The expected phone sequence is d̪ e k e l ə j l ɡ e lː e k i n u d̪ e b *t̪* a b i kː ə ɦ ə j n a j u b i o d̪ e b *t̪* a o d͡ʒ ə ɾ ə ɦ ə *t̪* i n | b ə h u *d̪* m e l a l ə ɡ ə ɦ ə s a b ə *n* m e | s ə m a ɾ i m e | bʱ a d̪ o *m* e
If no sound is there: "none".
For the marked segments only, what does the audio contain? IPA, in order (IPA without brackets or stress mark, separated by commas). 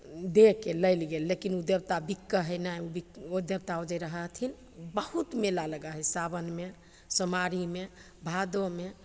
t̪, t̪, t̪ʰ, t̪, n, m